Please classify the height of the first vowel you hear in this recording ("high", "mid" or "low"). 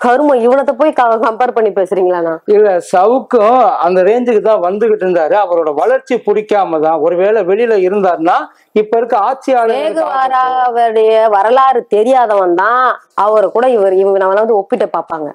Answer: low